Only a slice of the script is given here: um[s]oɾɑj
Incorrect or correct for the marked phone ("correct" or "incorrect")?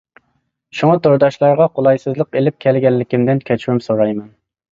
correct